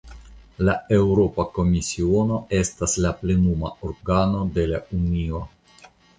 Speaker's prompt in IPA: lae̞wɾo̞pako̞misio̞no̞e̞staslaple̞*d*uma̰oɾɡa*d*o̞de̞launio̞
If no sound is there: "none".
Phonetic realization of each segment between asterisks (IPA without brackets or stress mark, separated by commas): n, n